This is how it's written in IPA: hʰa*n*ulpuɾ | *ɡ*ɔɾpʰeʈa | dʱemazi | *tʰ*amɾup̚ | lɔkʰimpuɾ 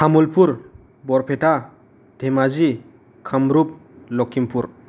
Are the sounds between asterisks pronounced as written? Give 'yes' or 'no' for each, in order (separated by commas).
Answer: no, no, no